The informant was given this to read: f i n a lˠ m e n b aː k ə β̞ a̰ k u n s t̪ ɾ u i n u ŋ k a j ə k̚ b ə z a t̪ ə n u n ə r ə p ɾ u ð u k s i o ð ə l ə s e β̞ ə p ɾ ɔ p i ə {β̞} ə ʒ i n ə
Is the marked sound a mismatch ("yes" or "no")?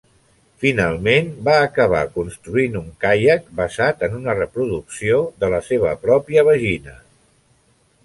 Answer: no